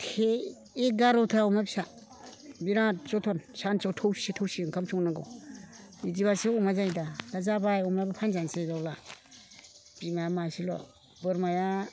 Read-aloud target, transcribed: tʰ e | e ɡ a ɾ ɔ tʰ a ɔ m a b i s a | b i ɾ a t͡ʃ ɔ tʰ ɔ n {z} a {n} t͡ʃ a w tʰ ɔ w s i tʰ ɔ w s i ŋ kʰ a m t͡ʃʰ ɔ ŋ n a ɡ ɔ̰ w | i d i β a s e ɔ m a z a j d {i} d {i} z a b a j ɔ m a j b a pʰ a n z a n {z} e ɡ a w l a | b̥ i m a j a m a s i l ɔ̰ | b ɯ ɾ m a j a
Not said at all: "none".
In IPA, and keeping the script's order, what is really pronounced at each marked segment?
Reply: s, n, a, a, s

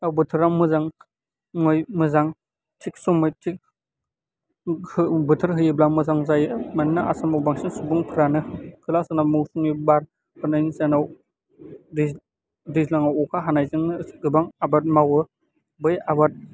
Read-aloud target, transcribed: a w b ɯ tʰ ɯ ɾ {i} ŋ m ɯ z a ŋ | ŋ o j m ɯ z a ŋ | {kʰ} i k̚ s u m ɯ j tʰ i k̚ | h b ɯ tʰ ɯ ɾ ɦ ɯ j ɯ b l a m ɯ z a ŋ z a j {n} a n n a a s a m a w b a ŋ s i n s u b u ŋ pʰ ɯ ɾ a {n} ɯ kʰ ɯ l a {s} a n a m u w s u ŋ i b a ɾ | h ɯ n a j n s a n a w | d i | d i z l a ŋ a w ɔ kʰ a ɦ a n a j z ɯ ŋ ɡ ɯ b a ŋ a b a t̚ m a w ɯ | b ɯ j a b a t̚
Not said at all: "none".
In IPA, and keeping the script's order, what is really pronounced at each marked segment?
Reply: a, tʰ, m, n, s

